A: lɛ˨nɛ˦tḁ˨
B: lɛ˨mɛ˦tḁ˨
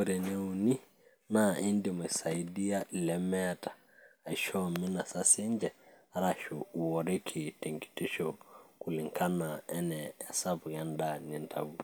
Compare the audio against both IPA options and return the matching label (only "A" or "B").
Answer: B